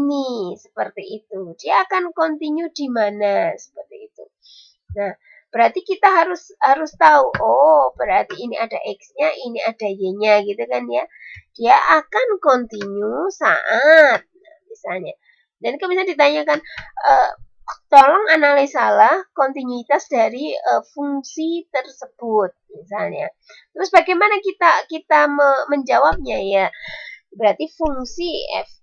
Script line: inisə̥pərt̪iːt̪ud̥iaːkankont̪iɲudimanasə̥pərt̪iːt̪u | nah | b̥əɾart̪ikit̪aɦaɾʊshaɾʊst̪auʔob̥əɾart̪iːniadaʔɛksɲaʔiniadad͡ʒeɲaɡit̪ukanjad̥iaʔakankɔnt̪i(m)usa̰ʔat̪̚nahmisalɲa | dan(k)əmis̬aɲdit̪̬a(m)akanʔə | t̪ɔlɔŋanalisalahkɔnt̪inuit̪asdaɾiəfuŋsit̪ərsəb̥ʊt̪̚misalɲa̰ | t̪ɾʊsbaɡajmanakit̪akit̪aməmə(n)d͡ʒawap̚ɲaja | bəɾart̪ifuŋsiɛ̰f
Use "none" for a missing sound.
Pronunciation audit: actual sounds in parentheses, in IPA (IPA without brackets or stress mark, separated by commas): ɲ, k, ɲ, ɲ